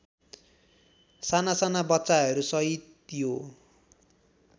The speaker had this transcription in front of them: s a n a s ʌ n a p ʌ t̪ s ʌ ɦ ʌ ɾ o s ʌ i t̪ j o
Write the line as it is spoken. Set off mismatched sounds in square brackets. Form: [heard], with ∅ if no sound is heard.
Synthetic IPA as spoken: s a n a s [a] n a [b] ʌ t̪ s [a] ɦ ʌ ɾ [u] s ʌ i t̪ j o